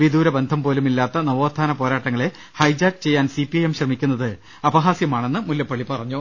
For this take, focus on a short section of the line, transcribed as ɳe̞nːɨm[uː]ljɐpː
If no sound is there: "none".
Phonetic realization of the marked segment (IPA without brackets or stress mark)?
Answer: u